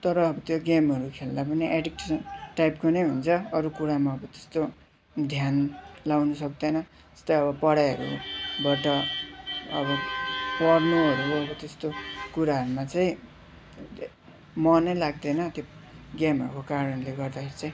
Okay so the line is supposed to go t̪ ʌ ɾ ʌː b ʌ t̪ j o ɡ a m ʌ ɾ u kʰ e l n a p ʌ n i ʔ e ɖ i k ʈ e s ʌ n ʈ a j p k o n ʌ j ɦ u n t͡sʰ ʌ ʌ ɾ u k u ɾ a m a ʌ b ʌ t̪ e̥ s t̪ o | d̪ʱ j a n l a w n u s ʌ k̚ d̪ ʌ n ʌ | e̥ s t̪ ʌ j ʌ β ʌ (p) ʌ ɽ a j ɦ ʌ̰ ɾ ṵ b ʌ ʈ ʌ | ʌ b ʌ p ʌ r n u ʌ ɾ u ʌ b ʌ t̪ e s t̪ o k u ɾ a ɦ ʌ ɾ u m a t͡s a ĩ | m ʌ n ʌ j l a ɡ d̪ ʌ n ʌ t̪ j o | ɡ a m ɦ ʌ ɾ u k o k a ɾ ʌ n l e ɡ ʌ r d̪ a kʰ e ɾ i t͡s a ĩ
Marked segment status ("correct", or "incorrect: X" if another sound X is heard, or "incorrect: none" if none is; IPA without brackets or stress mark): correct